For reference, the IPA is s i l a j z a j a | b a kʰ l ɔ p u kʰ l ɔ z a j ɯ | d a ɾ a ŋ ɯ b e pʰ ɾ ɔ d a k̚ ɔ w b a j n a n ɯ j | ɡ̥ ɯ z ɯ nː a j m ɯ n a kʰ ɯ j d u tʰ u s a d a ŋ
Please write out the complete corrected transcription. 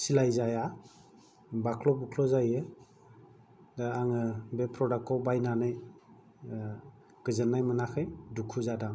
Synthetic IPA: s i l a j z a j a | b a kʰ l ɔ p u kʰ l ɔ z a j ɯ | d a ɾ a ŋ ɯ b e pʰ ɾ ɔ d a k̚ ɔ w b a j n a n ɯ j | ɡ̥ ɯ z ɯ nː a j m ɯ n a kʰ ɯ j d u kʰ u z a d a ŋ